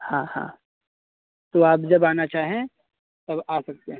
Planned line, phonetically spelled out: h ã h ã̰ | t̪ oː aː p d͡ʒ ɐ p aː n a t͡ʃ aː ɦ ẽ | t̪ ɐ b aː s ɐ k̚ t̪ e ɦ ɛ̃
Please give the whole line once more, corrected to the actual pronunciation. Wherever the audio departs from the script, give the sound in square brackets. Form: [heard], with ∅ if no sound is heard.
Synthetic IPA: h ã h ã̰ | t̪ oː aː p d͡ʒ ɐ [b] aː n a t͡ʃ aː ɦ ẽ | t̪ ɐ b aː s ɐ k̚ t̪ e ɦ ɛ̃